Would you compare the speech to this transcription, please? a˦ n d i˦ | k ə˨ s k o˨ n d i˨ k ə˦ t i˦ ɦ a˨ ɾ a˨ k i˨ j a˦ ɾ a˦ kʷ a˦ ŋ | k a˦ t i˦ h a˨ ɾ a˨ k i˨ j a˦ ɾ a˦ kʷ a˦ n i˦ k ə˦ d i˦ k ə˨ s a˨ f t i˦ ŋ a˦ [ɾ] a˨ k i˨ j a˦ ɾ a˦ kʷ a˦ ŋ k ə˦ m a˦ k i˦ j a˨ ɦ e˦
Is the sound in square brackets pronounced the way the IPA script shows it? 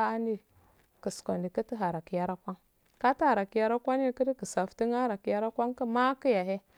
yes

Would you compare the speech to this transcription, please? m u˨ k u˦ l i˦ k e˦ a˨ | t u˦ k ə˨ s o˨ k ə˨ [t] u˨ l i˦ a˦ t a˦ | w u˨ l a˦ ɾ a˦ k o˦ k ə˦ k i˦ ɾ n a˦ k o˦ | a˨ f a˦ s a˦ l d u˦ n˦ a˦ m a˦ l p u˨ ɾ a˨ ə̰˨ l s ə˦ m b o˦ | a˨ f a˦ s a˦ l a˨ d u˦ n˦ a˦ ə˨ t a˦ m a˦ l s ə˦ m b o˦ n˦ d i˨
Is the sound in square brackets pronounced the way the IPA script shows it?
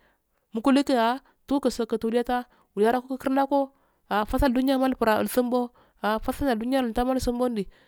yes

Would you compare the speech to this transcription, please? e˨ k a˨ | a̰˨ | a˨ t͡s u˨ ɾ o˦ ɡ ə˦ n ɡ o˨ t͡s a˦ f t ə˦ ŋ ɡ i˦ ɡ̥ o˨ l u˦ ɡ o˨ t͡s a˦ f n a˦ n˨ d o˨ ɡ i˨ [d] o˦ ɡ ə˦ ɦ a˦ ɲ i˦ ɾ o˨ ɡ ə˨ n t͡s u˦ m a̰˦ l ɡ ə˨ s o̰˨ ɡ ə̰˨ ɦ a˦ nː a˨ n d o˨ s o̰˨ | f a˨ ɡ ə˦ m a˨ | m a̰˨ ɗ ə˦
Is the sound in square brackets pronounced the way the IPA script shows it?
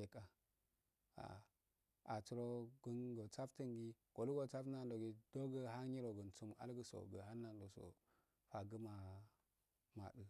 yes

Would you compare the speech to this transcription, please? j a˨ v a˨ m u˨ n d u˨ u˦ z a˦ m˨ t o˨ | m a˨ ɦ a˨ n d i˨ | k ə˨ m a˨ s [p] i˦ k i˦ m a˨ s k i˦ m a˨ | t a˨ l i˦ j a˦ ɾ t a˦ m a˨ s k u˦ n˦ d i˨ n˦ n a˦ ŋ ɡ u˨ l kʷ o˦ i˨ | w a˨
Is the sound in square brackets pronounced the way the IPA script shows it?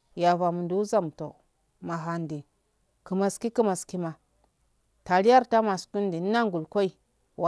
no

